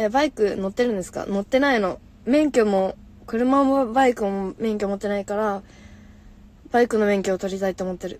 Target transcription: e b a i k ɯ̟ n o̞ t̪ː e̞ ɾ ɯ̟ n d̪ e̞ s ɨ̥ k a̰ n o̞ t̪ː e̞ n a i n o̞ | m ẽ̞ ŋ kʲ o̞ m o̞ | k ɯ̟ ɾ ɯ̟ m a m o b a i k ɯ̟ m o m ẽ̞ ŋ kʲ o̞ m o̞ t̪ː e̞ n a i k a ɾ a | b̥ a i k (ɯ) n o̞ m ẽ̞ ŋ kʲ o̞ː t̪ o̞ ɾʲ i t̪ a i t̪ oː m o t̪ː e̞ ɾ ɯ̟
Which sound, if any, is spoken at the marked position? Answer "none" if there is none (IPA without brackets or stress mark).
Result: ɯ